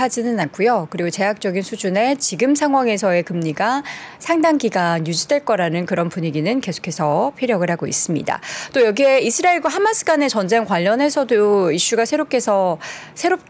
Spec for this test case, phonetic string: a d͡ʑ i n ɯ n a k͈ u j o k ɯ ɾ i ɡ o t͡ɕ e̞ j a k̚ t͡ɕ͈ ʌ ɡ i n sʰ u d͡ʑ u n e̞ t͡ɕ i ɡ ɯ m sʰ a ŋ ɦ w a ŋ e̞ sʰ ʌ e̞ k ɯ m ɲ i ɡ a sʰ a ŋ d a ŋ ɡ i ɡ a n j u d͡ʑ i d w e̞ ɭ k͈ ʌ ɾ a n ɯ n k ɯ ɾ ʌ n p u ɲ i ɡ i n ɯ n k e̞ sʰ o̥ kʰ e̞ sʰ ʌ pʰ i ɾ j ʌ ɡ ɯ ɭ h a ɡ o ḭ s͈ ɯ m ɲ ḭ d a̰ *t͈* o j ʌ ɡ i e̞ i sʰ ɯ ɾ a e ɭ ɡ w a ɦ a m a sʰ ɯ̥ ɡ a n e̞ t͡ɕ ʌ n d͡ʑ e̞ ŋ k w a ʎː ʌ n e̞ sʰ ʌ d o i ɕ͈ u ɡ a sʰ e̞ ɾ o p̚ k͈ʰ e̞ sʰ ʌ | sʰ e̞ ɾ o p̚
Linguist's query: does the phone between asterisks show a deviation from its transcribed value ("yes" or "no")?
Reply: no